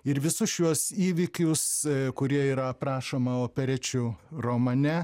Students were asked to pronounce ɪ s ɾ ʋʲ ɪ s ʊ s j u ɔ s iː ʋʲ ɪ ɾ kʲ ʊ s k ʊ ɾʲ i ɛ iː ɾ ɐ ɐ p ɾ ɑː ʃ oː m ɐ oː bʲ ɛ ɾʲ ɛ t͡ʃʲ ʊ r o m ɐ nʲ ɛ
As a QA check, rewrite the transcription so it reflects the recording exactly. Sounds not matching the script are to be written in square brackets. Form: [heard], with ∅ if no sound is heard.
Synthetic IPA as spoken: ɪ [∅] ɾ ʋʲ ɪ s ʊ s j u ɔ s iː ʋʲ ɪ [∅] kʲ ʊ s k ʊ ɾʲ i ɛ iː ɾ ɐ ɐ p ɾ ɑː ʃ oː m ɐ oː [pʲ] ɛ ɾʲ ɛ t͡ʃʲ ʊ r o m ɐ nʲ ɛ